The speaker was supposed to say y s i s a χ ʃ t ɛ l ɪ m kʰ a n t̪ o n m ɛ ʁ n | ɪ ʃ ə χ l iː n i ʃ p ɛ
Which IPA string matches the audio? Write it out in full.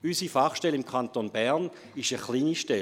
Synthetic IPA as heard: y s i f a χ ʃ t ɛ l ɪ m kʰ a n t̪ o n b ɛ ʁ n | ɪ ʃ ə χ l iː n i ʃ t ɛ